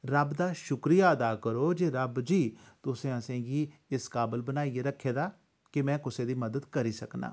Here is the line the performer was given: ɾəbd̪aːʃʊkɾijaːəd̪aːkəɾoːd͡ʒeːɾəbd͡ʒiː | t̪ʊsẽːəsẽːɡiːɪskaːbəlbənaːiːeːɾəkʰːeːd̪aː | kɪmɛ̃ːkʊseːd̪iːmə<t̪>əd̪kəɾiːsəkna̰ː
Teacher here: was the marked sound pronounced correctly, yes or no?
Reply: no